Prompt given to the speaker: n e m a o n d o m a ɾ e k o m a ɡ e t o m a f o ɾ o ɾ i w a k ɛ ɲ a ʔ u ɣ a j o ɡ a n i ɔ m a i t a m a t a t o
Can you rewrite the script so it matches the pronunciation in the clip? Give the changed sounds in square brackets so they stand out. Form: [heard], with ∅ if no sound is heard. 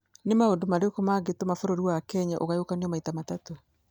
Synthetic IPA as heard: n e m a o n d o m a ɾ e k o m a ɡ e t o m a f o ɾ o ɾ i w a k ɛ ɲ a ʔ [o] ɣ a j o [k] a n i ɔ m a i t a m a t a t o